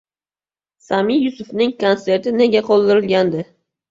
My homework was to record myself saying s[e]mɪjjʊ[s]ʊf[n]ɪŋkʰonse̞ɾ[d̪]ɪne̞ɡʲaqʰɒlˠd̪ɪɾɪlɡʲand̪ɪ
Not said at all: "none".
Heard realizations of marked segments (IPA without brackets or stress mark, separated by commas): a, s, n, t̪